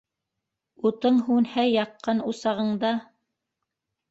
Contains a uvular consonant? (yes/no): yes